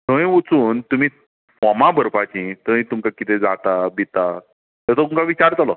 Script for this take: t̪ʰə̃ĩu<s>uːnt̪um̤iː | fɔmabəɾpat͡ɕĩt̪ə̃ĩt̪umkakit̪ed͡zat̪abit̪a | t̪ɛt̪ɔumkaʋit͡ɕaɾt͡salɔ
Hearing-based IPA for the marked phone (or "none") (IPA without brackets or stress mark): t͡s